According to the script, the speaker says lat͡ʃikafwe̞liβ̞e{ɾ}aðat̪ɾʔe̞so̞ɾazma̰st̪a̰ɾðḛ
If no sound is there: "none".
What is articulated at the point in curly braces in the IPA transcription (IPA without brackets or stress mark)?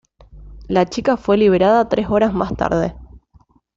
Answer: ɾ